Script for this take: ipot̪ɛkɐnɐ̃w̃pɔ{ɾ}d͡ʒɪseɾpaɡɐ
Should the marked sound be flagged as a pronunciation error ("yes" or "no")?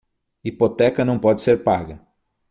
yes